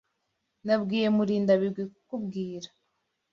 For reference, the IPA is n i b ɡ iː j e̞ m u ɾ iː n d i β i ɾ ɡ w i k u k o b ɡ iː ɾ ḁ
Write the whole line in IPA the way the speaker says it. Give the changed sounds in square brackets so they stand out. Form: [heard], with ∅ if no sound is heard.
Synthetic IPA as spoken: n [a] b ɡ iː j e̞ m u ɾ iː n d [a] β i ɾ ɡ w i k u k [u] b ɡ iː ɾ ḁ